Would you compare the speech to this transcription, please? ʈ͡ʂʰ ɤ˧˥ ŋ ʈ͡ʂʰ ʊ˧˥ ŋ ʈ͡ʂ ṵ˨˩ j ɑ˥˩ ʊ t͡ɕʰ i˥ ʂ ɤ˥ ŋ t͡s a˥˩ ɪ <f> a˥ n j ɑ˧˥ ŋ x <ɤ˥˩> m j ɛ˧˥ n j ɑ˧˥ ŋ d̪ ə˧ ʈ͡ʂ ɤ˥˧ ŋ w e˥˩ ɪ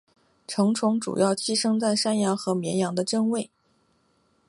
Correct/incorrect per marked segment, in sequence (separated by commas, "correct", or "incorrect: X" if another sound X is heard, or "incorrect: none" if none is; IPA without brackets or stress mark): incorrect: ʂ, incorrect: ɤ˧˥